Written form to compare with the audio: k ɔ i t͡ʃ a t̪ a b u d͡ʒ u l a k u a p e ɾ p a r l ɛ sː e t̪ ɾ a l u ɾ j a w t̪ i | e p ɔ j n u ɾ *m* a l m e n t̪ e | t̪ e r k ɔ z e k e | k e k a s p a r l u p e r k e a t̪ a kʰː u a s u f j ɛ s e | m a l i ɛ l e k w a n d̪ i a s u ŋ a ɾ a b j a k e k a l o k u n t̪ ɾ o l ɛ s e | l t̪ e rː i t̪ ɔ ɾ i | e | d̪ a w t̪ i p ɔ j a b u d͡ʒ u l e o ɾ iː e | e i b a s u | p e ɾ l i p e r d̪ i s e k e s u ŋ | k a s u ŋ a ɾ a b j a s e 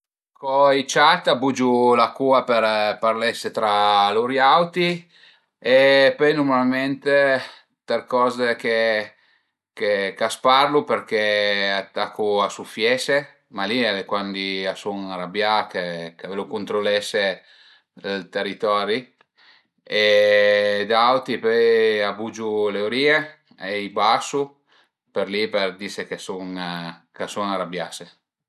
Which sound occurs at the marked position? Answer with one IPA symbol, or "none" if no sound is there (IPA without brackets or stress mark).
m